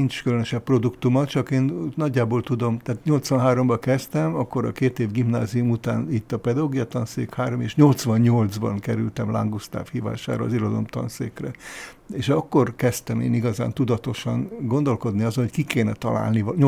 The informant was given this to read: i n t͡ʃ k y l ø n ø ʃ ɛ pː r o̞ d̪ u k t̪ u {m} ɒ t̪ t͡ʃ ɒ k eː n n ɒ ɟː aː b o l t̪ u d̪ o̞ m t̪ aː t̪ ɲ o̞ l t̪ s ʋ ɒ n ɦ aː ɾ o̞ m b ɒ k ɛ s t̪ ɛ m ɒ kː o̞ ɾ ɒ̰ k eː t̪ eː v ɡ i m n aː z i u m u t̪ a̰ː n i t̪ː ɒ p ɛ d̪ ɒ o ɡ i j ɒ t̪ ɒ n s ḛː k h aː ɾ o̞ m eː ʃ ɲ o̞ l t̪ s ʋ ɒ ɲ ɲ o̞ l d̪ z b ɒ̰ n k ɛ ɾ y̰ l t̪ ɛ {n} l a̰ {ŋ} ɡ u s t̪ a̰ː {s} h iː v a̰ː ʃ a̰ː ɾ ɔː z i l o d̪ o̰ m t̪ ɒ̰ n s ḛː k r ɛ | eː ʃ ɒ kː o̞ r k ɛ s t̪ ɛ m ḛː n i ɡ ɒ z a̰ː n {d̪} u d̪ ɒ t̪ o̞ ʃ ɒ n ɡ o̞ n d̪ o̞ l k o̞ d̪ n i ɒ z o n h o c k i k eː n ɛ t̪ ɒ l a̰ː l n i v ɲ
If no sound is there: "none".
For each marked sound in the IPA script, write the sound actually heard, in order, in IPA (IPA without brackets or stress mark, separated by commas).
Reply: m, m, ŋ, f, t̪